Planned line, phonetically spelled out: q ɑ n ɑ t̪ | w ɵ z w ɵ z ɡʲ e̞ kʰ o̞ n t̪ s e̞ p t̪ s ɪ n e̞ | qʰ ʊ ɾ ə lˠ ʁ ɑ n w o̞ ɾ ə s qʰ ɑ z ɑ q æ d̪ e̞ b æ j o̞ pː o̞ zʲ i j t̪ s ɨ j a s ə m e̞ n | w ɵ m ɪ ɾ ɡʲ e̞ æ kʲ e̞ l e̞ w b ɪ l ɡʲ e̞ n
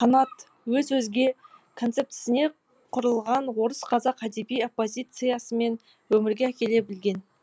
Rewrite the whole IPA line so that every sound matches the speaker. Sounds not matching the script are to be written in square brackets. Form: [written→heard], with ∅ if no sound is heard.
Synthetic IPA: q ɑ n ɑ t̪ | w ɵ z w ɵ z ɡʲ e̞ kʰ o̞ n t̪ s e̞ p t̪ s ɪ n e̞ | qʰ ʊ ɾ ə lˠ ʁ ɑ n w o̞ ɾ ə s qʰ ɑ z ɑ q æ d̪ e̞ b [æ→i] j o̞ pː o̞ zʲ i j t̪ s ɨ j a s ə m e̞ n | w ɵ m ɪ ɾ ɡʲ e̞ æ kʲ e̞ l e̞ [w→∅] b ɪ l ɡʲ e̞ n